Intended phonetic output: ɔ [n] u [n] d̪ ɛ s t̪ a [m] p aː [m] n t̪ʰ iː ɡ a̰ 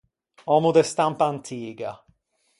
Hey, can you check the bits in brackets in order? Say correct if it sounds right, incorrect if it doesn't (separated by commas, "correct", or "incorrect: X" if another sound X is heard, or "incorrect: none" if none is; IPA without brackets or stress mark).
incorrect: m, incorrect: none, correct, incorrect: none